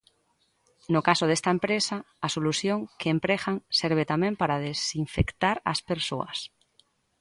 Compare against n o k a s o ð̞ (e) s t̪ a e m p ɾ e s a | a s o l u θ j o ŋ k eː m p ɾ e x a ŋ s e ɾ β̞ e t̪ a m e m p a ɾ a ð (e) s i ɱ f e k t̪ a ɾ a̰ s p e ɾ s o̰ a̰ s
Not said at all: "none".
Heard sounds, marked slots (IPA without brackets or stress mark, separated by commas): e, e